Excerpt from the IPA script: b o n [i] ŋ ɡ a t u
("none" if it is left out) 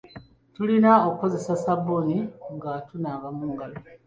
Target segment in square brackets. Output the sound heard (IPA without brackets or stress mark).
i